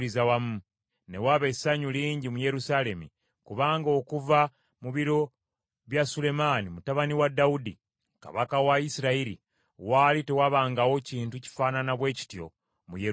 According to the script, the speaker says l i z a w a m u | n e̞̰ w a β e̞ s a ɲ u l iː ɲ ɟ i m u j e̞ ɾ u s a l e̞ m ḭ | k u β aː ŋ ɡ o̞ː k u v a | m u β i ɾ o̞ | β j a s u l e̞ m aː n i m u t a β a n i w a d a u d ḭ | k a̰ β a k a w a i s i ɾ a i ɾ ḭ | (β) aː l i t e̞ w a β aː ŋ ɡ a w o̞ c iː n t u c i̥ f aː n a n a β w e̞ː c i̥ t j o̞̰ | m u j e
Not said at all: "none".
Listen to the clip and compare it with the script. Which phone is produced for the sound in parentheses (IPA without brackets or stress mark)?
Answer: w